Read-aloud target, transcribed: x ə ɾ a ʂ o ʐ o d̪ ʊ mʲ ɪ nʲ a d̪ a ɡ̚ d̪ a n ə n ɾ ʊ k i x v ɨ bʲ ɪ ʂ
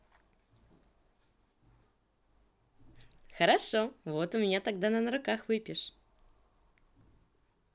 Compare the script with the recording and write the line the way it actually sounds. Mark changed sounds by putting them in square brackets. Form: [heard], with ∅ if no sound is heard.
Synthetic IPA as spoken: x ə ɾ a ʂ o [v] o [t̪] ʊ mʲ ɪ nʲ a [t̪] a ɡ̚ d̪ a n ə n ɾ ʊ k [a] x v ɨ [pʲ] ɪ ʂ